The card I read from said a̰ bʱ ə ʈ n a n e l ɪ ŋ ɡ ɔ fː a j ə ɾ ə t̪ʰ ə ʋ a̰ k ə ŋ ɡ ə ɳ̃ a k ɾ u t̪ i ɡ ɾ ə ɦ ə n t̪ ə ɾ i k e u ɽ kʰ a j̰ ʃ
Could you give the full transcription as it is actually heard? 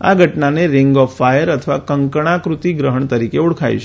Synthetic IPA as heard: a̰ ɡʱ ə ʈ n a n e ɾ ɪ ŋ ɡ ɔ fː a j ə ɾ ə t̪ʰ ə ʋ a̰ k ə ŋ k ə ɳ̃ a k ɾ u t̪ i ɡ ɾ ə ɦ ə ɳ t̪ ə ɾ i k e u ɽ kʰ a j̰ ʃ